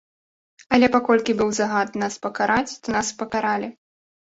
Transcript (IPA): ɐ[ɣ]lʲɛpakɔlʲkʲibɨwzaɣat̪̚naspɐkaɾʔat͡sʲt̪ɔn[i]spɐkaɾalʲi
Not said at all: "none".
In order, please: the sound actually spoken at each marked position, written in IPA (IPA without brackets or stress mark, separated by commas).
none, a